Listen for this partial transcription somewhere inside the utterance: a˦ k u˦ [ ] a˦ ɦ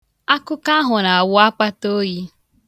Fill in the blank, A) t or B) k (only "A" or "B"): B